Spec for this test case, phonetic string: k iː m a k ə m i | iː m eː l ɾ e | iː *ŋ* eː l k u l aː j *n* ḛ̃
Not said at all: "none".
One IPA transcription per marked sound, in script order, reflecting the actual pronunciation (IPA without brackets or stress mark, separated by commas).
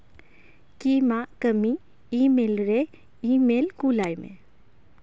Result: m, m